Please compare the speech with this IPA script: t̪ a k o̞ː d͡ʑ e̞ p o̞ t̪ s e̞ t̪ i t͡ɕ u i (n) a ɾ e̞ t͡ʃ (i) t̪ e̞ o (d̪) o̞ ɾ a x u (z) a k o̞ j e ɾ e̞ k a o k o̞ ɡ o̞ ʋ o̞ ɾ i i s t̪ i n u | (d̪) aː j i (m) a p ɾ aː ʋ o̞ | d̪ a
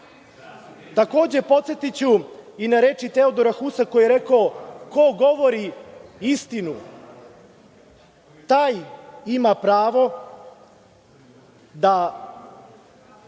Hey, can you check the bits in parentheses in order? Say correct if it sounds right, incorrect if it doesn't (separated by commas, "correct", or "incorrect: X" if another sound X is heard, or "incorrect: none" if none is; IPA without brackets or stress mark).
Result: correct, correct, correct, incorrect: s, incorrect: t̪, correct